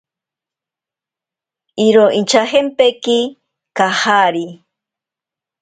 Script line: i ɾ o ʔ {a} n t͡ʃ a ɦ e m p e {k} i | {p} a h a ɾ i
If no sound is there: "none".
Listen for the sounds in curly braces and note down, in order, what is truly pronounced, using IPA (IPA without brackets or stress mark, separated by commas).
i, k, k